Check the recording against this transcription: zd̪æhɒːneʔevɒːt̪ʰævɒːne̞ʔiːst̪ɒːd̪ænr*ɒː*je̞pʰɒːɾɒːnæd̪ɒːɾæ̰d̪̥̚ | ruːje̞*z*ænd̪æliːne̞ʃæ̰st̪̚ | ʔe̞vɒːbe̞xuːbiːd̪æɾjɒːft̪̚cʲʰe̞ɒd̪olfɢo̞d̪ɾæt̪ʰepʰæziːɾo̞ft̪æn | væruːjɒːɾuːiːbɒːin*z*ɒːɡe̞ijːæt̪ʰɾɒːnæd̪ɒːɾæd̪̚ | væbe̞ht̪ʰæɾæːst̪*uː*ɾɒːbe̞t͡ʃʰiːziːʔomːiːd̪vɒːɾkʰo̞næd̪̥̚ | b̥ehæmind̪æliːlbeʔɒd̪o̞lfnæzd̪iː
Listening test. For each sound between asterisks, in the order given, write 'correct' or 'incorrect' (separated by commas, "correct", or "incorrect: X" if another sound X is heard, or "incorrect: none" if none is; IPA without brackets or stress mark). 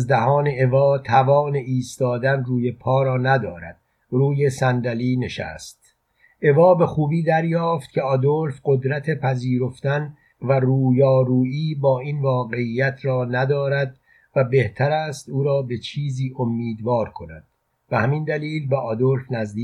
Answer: incorrect: uː, incorrect: s, incorrect: v, correct